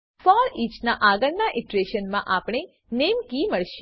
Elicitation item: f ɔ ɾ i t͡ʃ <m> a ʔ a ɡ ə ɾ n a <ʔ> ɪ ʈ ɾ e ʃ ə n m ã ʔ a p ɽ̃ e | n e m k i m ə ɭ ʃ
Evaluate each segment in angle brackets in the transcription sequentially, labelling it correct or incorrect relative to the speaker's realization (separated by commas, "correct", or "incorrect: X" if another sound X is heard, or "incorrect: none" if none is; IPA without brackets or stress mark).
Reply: incorrect: n, correct